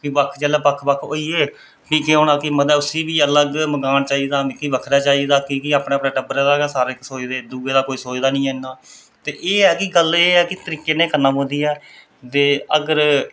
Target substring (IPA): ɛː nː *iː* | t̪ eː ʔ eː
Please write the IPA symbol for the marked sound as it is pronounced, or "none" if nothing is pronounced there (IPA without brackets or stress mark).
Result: aː